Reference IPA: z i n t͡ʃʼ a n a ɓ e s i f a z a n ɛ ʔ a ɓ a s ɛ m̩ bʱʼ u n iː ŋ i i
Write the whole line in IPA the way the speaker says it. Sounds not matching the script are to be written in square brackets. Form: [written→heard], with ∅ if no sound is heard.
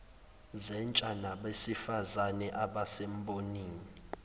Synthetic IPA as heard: z [i→ɛ] n t͡ʃʼ a n a ɓ e s i f a z a n ɛ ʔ a ɓ a s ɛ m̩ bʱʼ [u→o] n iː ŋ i i